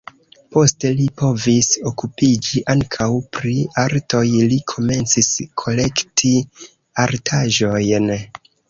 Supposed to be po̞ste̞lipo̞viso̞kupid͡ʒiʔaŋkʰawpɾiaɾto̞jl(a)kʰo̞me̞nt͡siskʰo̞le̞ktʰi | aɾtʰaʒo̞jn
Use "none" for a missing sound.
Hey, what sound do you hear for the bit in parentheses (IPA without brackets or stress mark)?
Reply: i